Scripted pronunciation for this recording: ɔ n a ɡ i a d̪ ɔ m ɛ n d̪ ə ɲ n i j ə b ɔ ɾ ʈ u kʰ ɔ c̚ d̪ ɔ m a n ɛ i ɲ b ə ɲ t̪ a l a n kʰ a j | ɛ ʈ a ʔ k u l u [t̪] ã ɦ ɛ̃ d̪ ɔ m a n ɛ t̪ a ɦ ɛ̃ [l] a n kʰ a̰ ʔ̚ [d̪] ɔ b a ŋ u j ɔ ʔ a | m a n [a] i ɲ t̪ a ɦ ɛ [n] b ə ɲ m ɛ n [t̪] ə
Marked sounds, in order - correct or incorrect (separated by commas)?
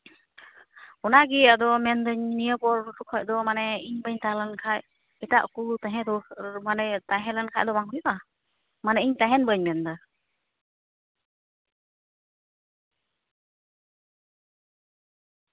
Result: correct, correct, correct, incorrect, correct, incorrect